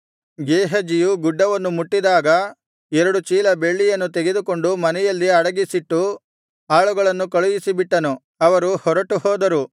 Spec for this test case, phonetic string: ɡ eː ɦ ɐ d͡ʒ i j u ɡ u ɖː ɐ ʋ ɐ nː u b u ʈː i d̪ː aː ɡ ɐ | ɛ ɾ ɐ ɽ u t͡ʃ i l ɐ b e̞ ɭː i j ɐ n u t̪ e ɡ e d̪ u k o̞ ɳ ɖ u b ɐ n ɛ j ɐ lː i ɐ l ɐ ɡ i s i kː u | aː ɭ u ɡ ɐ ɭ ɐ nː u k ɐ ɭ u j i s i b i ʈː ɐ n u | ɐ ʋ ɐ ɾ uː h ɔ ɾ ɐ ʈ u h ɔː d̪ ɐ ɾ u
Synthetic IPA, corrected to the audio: ɡ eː ɦ ɐ d͡ʒ i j u ɡ u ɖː ɐ ʋ ɐ nː u m u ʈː i d̪ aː ɡ ɐ | ɛ ɾ ɐ ɽ u t͡ʃ iː l ɐ b e̞ ɭː i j ɐ nː u t̪ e ɡ e d̪ u k o̞ ɳ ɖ u m ɐ n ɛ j ɐ lː i ɐ ɽ ɐ ɡ i s i ʈː u | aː ɭ u ɡ ɐ ɭ ɐ nː u k ɐ ɭ u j i s i b i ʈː ɐ n u | ɐ ʋ ɐ ɾ u h ɔ ɾ ɐ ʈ u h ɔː d̪ ɐ ɾ u